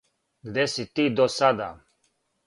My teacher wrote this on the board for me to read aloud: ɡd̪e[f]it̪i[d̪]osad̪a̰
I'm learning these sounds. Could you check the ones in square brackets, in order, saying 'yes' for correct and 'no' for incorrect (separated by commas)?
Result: no, yes